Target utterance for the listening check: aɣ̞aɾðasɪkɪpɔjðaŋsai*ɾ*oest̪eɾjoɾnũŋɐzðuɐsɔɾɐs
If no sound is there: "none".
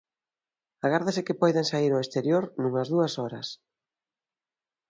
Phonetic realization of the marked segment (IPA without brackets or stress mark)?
ɾ